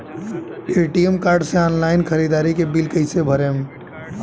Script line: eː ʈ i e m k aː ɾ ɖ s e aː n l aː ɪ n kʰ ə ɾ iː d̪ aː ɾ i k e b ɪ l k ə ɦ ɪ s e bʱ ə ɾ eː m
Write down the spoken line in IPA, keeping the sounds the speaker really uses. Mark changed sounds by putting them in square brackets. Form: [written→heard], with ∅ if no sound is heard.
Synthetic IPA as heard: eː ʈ i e m k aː ɾ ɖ s e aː n l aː ɪ n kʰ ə ɾ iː d̪ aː ɾ i k e b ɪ l k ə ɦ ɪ s e bʱ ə ɾ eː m